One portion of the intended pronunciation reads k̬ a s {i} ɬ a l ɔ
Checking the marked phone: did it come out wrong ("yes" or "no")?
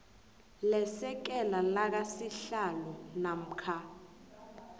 no